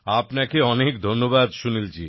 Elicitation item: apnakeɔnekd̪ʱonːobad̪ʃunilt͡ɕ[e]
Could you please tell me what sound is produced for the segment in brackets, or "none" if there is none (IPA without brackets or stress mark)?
i